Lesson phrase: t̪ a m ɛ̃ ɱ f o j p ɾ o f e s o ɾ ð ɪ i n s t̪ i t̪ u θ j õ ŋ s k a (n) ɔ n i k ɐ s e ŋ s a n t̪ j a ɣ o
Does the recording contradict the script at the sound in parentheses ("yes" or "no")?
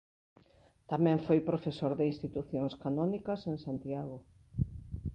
no